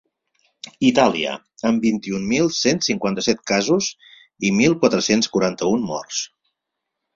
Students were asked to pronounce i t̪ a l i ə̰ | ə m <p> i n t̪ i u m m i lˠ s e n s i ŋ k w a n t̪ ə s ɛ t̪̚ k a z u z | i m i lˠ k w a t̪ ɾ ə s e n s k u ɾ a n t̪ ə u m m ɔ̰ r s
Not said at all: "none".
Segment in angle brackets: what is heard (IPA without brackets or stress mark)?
b